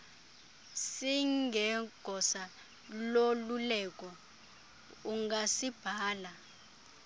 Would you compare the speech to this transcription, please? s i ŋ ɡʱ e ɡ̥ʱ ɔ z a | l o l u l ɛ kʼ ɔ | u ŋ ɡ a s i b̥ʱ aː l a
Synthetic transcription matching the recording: s i ŋ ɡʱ ɛ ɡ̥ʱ ɔ s a | l o l u l ɛ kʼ ɔ | u ŋ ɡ a s i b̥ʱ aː l a